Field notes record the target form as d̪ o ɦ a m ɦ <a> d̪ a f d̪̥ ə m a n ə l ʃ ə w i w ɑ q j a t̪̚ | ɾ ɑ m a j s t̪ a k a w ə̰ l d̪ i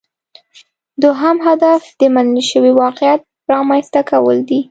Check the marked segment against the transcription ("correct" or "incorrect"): correct